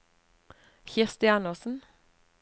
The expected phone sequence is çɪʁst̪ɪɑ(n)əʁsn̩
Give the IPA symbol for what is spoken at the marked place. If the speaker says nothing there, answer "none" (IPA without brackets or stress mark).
n